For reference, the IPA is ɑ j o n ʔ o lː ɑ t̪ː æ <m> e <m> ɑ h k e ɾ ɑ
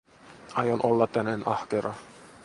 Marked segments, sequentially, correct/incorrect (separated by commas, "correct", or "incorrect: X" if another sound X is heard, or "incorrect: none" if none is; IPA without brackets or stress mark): incorrect: n, incorrect: n